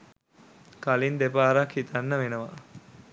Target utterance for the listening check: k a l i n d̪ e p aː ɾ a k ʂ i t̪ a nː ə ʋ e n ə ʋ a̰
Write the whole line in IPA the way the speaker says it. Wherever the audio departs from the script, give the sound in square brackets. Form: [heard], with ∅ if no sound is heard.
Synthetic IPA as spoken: k a l i n d̪ e p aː ɾ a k [h] i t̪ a nː ə ʋ e n ə ʋ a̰